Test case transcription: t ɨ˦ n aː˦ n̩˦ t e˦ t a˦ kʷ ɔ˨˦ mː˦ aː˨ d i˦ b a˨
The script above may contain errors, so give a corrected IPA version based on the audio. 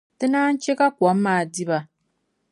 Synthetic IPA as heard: t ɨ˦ n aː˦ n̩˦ t͡ʃ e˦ k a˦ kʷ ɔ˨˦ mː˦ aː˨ d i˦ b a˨